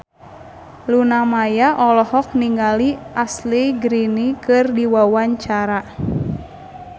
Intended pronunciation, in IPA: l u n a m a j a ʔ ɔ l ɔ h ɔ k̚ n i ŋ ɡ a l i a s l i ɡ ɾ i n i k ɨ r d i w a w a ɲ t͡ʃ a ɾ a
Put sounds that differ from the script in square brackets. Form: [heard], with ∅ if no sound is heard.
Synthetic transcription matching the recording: l u n a m a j a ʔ ɔ l ɔ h ɔ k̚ n i ŋ ɡ a l i a s l i ɡ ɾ i n i k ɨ r d i w a w a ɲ t͡ʃ a ɾ a